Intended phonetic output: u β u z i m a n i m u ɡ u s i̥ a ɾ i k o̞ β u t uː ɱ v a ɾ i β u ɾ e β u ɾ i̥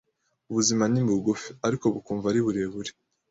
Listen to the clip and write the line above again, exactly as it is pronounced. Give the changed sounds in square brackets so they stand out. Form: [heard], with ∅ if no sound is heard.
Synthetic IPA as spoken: u β u z i m a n i m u ɡ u [f] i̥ a ɾ i k o̞ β u [k] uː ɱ v a ɾ i β u ɾ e β u ɾ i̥